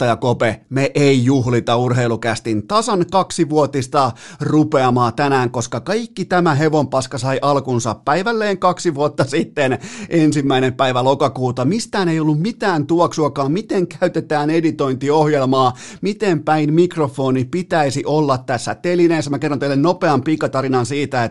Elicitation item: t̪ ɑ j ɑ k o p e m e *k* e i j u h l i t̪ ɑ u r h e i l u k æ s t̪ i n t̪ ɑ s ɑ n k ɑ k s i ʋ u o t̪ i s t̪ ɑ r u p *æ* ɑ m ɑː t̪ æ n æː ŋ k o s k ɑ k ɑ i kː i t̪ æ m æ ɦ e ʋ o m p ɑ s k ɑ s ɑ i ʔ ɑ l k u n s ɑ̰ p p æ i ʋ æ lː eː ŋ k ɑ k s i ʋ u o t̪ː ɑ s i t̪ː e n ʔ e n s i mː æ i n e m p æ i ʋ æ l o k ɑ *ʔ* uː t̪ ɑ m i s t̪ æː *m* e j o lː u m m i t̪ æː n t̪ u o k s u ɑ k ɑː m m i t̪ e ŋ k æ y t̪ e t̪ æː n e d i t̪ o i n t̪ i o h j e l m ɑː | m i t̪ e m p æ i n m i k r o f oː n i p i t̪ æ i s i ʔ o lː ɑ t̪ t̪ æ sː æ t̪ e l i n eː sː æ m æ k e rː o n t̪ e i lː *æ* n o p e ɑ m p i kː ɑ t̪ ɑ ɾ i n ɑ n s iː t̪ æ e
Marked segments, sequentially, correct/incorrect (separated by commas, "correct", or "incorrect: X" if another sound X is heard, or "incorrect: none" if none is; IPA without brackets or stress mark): incorrect: ʔ, incorrect: e, incorrect: k, incorrect: n, incorrect: e